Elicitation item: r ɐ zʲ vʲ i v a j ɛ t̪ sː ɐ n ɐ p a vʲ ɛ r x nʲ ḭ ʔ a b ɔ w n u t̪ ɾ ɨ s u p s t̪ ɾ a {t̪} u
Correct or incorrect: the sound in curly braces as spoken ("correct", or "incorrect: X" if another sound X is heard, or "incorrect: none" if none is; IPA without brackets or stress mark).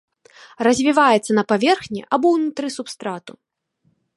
correct